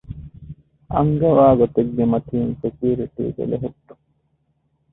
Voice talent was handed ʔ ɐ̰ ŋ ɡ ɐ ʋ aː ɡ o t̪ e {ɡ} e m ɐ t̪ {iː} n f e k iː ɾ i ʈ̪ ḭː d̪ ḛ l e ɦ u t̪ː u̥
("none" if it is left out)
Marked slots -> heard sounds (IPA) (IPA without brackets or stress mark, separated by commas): ɡː, iː